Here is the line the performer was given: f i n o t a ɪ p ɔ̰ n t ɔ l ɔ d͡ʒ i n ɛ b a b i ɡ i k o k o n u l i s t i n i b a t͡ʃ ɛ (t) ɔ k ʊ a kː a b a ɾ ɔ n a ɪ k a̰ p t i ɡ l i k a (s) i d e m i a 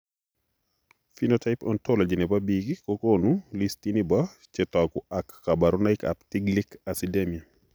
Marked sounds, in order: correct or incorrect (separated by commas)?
correct, correct